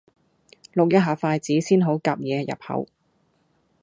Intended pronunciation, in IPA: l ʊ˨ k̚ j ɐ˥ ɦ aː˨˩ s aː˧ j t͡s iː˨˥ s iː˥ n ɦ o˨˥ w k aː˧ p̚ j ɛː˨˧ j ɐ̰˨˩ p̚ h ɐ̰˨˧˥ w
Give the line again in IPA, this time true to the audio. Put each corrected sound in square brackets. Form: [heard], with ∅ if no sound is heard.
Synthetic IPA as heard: l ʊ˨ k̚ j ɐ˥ ɦ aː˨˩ [f] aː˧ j t͡s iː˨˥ s iː˥ n ɦ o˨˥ w k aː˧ p̚ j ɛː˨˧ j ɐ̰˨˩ p̚ h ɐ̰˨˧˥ w